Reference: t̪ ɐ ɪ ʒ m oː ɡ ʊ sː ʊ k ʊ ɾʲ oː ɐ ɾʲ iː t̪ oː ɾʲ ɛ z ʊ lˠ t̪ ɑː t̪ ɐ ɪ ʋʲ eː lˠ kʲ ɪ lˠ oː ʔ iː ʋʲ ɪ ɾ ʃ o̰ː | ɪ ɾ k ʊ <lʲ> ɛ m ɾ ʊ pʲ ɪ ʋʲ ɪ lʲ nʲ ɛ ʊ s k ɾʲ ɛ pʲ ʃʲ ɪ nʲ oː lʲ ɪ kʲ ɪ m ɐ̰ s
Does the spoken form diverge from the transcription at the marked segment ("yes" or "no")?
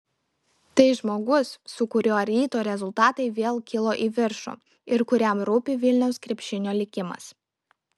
yes